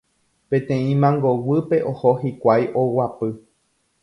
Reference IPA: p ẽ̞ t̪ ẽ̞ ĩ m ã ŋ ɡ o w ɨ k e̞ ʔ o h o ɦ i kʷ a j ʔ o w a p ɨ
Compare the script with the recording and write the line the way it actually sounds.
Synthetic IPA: p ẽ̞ t̪ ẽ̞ ĩ m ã ŋ ɡ o w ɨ p e̞ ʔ o h o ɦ i kʷ a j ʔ o w a p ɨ